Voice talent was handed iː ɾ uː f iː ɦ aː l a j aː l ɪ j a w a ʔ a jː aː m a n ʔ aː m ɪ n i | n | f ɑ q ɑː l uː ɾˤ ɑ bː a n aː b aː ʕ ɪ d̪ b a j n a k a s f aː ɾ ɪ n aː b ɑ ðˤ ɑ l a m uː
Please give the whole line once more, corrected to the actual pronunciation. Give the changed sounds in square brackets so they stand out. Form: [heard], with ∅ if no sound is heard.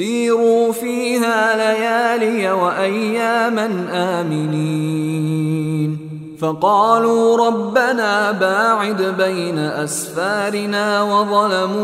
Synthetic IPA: iː ɾ uː f iː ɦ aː l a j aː l ɪ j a w a ʔ a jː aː m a n ʔ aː m ɪ n i | n | f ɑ q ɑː l uː ɾˤ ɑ bː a n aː b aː ʕ ɪ d̪ b a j n a [ʔ] a s f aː ɾ ɪ n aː [w] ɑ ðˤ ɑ l a m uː